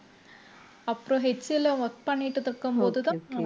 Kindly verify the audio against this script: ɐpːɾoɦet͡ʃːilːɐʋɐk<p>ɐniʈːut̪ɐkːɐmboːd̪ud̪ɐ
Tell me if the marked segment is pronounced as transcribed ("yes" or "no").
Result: yes